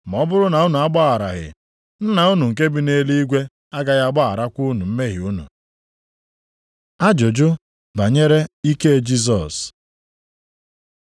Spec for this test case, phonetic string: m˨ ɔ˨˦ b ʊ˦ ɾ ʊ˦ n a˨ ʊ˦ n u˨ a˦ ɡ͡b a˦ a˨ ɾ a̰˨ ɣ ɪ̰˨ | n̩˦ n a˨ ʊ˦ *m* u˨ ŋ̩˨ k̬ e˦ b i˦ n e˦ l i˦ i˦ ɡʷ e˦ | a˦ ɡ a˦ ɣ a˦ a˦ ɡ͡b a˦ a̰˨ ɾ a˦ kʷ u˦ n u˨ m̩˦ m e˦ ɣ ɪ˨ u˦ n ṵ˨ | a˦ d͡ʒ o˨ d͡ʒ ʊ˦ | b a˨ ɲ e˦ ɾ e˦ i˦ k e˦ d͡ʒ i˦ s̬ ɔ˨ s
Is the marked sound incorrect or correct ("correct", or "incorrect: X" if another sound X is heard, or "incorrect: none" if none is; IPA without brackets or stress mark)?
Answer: incorrect: n